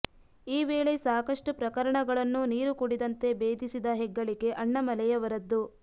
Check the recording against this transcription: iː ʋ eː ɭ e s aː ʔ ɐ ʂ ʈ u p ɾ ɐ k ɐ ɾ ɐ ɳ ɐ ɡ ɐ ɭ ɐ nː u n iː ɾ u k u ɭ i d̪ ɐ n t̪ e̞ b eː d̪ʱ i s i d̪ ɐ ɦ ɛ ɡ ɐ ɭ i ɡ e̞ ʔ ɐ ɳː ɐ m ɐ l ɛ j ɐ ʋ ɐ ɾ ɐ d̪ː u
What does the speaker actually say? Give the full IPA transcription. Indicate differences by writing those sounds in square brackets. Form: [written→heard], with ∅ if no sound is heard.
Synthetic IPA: iː ʋ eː ɭ e s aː [ʔ→k] ɐ ʂ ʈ u p ɾ ɐ k ɐ ɾ ɐ ɳ ɐ ɡ ɐ ɭ ɐ nː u n iː ɾ u k u [ɭ→ɽ] i d̪ ɐ n t̪ e̞ b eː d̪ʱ i s i d̪ ɐ ɦ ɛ [ɡ→ɡː] ɐ ɭ i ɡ e̞ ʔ ɐ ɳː ɐ m ɐ l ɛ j ɐ ʋ ɐ ɾ ɐ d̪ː u

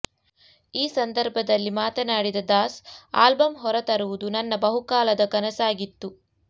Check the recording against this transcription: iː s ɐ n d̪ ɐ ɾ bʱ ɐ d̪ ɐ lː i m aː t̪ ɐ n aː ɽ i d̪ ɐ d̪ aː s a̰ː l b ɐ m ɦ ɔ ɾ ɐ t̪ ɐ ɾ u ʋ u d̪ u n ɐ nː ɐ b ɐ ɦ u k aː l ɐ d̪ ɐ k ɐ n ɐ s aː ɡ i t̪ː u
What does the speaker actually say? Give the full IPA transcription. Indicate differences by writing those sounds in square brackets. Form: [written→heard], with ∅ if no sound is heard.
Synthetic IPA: iː s ɐ n d̪ ɐ ɾ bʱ ɐ d̪ ɐ lː i m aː t̪ ɐ n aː ɽ i d̪ ɐ d̪ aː s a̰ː l b ɐ m ɦ ɔ ɾ ɐ t̪ ɐ ɾ u ʋ u d̪ u n ɐ nː ɐ b ɐ ɦ u k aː l ɐ d̪ ɐ k ɐ n ɐ s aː ɡ i t̪ː u

